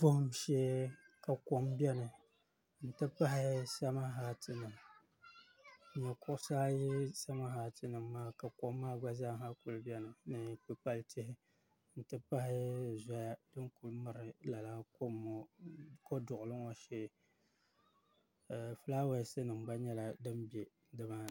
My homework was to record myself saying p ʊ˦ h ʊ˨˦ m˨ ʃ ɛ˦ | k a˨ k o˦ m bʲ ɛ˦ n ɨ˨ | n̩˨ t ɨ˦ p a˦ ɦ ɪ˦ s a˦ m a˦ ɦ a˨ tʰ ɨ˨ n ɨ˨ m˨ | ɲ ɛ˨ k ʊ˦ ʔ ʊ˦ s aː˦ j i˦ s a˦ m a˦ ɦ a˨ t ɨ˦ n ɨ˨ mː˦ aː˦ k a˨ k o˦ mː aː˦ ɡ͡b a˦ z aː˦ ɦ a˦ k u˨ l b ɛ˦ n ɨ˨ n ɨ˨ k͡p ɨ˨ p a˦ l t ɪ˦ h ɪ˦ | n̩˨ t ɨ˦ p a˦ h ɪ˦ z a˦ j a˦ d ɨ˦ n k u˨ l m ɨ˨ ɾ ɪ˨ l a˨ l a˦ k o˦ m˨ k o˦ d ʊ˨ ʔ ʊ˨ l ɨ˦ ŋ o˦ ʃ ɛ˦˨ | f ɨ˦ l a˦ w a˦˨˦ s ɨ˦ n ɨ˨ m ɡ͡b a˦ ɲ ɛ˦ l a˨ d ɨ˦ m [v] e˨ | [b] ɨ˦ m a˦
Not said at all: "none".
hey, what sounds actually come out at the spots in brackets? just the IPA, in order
b, d

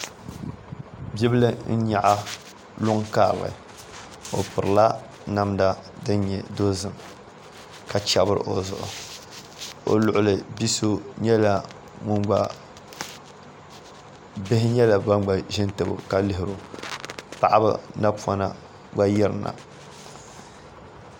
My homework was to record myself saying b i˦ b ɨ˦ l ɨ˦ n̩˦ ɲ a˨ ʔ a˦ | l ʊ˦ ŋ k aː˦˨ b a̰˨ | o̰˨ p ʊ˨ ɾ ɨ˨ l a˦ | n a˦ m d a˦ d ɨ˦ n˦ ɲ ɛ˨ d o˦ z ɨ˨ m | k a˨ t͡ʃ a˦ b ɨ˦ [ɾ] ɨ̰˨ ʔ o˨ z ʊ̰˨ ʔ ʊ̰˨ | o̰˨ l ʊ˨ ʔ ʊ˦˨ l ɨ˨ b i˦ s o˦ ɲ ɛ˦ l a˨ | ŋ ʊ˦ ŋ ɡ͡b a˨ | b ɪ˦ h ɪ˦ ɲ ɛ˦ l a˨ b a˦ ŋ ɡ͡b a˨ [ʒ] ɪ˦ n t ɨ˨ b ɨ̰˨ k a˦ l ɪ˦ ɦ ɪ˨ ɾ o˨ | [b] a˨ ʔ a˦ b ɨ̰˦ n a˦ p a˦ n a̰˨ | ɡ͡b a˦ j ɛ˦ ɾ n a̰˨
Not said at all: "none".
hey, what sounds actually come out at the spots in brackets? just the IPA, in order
ɾ, ʒ, p

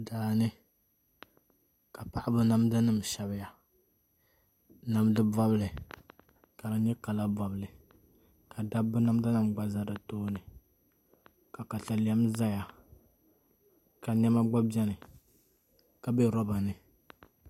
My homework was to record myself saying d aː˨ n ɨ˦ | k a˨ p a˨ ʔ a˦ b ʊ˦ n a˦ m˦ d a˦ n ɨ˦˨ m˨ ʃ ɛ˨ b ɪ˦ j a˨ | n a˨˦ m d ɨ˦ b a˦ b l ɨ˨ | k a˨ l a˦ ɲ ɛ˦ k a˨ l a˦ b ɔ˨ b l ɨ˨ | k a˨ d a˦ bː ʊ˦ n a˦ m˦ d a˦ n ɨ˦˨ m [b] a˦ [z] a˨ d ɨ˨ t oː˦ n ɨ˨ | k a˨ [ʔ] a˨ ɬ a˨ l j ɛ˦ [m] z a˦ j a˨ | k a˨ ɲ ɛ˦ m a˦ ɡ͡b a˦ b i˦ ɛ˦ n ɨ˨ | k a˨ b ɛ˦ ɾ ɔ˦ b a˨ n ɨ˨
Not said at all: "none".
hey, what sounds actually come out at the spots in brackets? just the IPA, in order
ɡ͡b, z, k, m

